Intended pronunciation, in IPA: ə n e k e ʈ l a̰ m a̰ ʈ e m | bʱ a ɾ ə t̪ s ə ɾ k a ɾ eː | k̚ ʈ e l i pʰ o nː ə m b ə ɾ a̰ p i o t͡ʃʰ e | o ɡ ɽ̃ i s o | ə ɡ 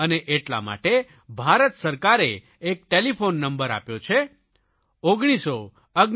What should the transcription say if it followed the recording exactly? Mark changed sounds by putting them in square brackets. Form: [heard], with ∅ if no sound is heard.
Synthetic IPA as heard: ə n e [ʔ] e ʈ l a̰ m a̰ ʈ e [∅] | bʱ a ɾ ə t̪ s ə ɾ k a ɾ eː | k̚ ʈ e l i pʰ o nː ə m b ə ɾ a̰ p [j] o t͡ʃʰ e | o ɡ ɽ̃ i s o | ə ɡ